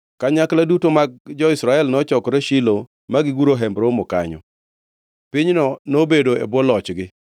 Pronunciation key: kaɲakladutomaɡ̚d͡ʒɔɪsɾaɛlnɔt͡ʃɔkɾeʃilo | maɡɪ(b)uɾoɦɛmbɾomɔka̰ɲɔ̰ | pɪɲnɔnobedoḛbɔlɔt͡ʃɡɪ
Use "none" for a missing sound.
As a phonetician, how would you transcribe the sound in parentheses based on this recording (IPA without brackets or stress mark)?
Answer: ɡ